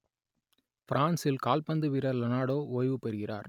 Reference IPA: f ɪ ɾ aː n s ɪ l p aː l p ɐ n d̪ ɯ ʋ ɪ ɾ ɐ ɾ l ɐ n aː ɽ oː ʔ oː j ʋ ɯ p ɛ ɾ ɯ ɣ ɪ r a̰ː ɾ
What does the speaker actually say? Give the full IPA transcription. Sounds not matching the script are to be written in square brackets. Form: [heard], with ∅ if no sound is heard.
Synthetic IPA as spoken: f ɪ ɾ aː n s ɪ l [k] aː l p ɐ n d̪ ɯ ʋ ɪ ɾ ɐ ɾ l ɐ n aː ɽ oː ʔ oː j ʋ ɯ p ɛ ɾ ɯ ɣ ɪ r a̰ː ɾ

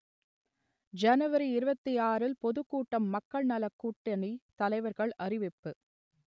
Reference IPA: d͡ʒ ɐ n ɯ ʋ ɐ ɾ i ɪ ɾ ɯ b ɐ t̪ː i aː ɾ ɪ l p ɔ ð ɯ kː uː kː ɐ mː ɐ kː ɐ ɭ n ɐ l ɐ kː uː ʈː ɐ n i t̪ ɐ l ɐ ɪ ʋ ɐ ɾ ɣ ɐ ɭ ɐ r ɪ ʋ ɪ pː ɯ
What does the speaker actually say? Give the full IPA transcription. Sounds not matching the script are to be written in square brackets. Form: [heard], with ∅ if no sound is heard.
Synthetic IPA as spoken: d͡ʒ ɐ n ɯ ʋ ɐ ɾ i ɪ ɾ ɯ b ɐ t̪ː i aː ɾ ɪ l p ɔ ð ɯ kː uː [ʈː] ɐ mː ɐ kː ɐ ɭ n ɐ l ɐ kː uː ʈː ɐ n i t̪ ɐ l ɐ ɪ ʋ ɐ ɾ ɣ ɐ ɭ ɐ r ɪ ʋ ɪ pː ɯ

